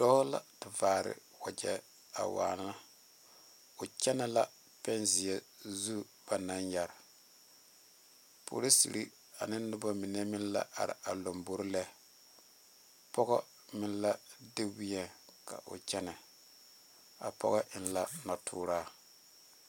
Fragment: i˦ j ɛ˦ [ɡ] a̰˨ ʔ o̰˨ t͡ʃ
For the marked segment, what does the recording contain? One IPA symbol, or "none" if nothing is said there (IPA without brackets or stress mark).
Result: k